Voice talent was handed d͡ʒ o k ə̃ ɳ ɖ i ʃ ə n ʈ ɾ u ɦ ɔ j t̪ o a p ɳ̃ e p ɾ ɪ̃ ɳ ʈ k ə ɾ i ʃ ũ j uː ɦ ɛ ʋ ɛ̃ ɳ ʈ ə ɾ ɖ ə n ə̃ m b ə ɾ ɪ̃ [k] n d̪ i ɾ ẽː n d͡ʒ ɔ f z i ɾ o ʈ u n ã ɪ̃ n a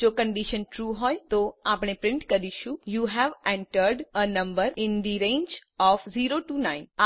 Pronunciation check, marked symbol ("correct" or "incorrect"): incorrect